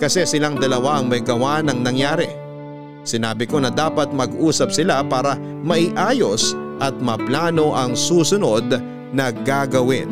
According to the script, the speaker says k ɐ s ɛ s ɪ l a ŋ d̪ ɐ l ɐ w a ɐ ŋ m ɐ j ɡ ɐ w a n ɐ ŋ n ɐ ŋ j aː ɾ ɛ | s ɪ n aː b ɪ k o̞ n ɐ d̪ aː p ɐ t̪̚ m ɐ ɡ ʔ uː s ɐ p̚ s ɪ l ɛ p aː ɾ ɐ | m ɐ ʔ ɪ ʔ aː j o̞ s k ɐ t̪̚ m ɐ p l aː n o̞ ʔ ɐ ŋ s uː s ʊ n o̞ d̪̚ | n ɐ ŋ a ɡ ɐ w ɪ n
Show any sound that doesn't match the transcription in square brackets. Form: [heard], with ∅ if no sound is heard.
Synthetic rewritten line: k ɐ s ɛ s ɪ l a ŋ d̪ ɐ l ɐ w a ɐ ŋ m ɐ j ɡ ɐ w a n ɐ ŋ n ɐ ŋ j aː ɾ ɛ | s ɪ n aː b ɪ k o̞ n ɐ d̪ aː p ɐ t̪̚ m ɐ ɡ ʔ uː s ɐ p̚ s ɪ l [a] p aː ɾ ɐ | m ɐ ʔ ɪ ʔ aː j o̞ s [ʔ] ɐ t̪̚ m ɐ p l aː n o̞ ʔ ɐ ŋ s uː s ʊ n o̞ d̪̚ | n ɐ [ɡ] a ɡ ɐ w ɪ n